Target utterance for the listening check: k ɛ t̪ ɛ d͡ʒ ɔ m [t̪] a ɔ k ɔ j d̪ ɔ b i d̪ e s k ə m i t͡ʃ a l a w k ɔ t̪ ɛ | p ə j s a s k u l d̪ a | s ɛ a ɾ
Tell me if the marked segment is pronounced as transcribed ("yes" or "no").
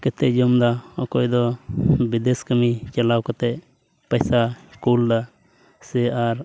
no